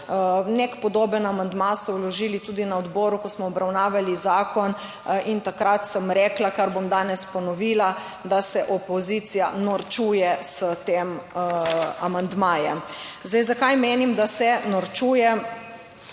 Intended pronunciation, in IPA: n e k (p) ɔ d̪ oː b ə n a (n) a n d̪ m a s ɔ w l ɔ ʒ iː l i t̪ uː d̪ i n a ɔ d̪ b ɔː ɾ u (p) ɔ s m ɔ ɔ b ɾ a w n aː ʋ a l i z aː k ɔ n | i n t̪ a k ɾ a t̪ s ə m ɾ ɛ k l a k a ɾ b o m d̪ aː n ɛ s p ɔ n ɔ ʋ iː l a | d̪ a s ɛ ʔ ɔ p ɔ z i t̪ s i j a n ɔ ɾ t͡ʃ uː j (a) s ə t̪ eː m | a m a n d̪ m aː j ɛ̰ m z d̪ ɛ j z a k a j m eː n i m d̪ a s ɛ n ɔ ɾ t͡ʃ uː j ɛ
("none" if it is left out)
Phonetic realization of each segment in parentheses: p, m, k, ɛ

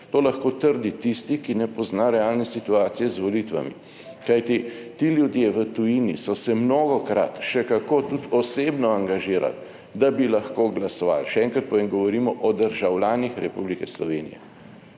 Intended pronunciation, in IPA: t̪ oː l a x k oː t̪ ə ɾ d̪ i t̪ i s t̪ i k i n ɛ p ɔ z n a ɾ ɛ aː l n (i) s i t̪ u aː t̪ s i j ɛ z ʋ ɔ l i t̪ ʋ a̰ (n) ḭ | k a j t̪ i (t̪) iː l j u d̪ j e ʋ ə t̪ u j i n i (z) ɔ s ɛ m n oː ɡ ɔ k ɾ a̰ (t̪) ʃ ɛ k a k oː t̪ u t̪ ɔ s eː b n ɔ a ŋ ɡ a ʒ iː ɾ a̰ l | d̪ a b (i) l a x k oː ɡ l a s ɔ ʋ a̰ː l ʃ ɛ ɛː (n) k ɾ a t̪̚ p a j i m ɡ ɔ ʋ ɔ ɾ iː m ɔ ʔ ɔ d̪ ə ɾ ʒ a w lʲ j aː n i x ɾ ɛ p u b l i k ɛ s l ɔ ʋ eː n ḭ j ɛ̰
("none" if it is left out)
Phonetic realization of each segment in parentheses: ɛ, m, t̪, s, t̪, i, ŋ

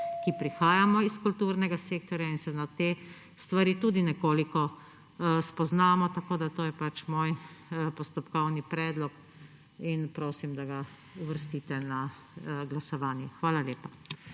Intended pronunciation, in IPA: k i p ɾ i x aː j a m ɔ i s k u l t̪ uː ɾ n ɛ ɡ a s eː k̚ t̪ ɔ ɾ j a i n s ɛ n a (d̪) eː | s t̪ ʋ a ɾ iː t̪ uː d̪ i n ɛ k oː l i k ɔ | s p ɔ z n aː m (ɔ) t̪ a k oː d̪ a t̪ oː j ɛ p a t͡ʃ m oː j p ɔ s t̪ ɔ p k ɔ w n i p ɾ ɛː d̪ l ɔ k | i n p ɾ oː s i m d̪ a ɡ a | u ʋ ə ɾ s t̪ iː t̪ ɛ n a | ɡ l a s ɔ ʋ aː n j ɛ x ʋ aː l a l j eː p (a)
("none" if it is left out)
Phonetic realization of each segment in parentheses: t̪, ɔ, a

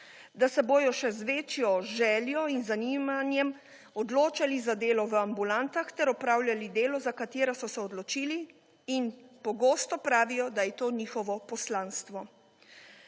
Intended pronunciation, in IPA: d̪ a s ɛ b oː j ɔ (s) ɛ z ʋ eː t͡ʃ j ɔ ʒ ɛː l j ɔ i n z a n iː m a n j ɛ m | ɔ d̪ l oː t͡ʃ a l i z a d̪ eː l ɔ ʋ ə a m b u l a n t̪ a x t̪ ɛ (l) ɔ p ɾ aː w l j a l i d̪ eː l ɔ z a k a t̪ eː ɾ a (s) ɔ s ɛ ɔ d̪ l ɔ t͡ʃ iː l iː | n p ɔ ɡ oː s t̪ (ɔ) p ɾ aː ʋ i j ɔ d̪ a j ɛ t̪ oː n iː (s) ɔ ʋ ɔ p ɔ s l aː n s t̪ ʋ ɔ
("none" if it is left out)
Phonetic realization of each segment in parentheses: ʃ, ɾ, s, ɔ, x

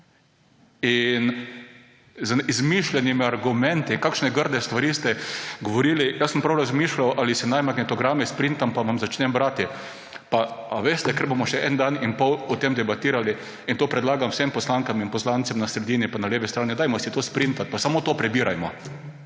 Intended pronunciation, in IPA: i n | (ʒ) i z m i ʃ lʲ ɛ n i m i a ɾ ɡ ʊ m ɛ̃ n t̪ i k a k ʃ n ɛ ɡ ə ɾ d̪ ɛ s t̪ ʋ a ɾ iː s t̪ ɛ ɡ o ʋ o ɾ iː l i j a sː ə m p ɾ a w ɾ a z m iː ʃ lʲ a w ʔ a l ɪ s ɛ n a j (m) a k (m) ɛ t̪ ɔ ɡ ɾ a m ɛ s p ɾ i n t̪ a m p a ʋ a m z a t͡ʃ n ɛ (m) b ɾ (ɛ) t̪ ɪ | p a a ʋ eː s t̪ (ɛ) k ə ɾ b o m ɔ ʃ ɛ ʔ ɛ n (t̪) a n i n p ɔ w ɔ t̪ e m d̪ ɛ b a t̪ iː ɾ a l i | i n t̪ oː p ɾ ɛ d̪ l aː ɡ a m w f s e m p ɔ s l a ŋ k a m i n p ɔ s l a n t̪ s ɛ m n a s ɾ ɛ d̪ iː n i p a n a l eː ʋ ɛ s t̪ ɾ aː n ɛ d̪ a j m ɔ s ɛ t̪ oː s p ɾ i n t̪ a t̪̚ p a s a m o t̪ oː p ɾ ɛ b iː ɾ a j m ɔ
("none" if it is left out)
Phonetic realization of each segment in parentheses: z, m, n, m, a, ɛ, d̪

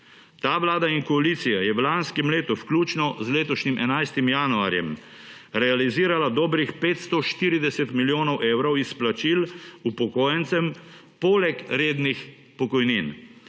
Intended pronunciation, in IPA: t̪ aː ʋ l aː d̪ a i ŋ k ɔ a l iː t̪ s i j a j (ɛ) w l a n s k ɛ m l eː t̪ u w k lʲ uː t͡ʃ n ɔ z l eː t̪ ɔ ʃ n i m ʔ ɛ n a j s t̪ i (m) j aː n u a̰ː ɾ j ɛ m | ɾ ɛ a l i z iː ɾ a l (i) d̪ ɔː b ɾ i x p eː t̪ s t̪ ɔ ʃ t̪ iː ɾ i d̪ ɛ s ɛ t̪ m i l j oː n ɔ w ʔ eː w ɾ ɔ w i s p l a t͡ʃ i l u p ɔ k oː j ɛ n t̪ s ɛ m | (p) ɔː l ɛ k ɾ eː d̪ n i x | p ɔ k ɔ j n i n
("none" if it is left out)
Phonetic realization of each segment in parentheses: ɛ, m, a, p

